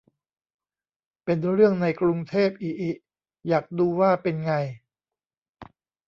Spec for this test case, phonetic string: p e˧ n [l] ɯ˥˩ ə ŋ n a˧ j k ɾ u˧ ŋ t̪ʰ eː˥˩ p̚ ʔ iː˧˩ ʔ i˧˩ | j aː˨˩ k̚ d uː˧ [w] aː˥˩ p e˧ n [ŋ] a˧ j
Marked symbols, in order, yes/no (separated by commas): no, yes, yes